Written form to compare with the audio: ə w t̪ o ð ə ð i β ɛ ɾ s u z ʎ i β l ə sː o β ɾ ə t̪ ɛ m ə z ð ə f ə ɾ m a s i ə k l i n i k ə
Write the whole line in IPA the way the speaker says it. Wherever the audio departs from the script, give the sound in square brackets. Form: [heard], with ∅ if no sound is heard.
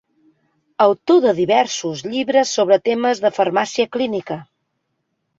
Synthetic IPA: ə w t̪ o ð ə ð i β ɛ ɾ s u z ʎ i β [ɾ] ə sː o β ɾ ə t̪ [e] m ə z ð ə f ə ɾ m a s i ə k l i n i k ə